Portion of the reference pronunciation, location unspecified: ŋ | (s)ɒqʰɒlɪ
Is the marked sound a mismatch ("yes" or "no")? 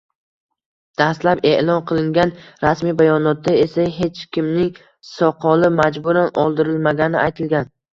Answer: no